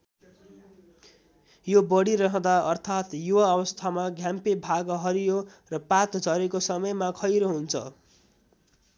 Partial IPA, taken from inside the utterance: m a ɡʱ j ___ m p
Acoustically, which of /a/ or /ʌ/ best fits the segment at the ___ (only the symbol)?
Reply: a